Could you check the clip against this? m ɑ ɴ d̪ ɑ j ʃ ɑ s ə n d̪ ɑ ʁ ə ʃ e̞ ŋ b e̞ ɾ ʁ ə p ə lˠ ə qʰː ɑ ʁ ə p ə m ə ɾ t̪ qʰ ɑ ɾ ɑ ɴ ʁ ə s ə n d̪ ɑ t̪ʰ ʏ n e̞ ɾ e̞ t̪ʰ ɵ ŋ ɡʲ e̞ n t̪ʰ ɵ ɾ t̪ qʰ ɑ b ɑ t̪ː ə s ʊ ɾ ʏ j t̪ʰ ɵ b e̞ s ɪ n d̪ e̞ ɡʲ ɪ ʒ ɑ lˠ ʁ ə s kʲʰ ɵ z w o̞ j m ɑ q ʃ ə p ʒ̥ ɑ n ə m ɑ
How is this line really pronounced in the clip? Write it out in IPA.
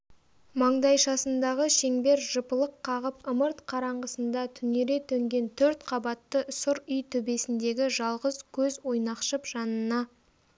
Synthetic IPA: m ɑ ɴ d̪ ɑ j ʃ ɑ s ə n d̪ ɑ ʁ ə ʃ e̞ ŋ b e̞ ɾ ʒ ə p ə lˠ ə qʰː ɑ ʁ ə p ə m ə ɾ t̪ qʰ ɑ ɾ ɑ ɴ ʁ ə s ə n d̪ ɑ t̪ʰ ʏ n e̞ ɾ e̞ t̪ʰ ɵ ŋ ɡʲ e̞ n t̪ʰ ɵ ɾ t̪ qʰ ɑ b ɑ t̪ː ə s ʊ ɾ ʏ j t̪ʰ ɵ b e̞ s ɪ n d̪ e̞ ɡʲ ɪ ʒ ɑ lˠ ʁ ə z kʲʰ ɵ z w o̞ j n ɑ q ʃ ə p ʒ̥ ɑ n ə n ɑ